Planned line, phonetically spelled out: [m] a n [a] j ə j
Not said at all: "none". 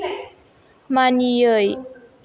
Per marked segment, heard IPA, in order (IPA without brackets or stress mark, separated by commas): m, i